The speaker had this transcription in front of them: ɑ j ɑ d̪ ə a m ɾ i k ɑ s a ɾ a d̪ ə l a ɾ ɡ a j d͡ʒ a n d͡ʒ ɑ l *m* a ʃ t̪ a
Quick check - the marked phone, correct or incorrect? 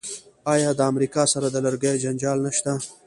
incorrect